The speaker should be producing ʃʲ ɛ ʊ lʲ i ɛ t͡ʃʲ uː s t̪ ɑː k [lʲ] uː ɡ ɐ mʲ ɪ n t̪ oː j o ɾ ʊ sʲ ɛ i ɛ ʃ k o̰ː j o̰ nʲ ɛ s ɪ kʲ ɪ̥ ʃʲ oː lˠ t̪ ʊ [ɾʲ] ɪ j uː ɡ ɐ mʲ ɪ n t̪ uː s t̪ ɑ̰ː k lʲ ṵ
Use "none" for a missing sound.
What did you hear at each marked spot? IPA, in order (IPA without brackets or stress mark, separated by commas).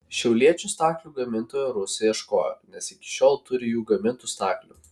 lʲ, ɾʲ